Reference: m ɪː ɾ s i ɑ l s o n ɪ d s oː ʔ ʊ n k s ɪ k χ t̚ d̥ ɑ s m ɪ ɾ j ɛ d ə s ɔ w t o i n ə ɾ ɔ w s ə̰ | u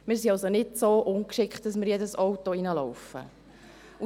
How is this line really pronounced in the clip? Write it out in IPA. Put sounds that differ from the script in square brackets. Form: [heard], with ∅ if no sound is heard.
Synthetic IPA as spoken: m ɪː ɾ s i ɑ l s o n ɪ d s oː ʔ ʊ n k [ʃ] ɪ k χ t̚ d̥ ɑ s m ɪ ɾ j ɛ d ə s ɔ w t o i n ə [l] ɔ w [f] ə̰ | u